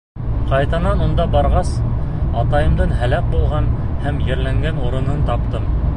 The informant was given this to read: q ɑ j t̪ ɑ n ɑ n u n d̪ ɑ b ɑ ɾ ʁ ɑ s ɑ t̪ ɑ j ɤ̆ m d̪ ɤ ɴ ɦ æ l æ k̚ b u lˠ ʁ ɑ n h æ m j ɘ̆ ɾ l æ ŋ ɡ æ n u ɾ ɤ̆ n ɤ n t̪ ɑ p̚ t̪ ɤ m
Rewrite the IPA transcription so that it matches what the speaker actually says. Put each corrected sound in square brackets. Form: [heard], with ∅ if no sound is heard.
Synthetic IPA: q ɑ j t̪ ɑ n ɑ n u n d̪ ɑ b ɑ ɾ ʁ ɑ s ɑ t̪ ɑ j ɤ̆ m d̪ ɤ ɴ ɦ æ l æ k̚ b u lˠ ʁ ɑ n h æ m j ɘ̆ ɾ l æ ŋ ɡ æ n u ɾ ɤ̆ n ɤ n t̪ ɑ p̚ t̪ ɤ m

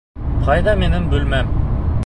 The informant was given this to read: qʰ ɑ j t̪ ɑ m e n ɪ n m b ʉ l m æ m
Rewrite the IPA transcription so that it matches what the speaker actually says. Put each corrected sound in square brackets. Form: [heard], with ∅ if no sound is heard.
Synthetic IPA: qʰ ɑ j [d̪] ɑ m e n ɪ [∅] m b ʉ l m æ m

